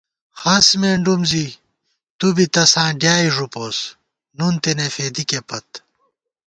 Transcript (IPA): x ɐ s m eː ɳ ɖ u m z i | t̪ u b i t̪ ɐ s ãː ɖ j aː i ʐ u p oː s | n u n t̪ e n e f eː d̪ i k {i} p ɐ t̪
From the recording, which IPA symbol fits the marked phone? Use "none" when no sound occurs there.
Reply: e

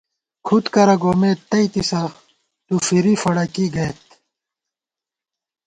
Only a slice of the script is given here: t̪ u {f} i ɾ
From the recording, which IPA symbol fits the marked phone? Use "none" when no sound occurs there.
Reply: f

